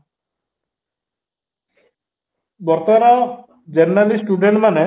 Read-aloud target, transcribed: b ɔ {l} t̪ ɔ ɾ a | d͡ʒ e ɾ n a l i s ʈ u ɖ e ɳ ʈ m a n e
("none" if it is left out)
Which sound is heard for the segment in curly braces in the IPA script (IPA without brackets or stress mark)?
ɾ